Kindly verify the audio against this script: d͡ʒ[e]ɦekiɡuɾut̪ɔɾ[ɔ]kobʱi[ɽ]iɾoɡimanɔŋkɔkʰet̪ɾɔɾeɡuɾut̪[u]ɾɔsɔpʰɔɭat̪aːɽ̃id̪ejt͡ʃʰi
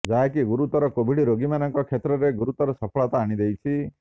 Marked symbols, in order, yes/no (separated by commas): no, yes, yes, no